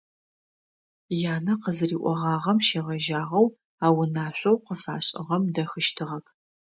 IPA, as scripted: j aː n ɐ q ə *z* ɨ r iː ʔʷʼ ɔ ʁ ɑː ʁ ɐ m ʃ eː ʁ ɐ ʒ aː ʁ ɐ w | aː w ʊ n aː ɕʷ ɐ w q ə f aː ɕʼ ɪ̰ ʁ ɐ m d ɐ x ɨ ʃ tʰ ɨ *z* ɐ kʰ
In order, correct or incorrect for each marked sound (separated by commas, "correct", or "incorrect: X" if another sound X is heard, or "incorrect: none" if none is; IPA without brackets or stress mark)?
correct, incorrect: ʁ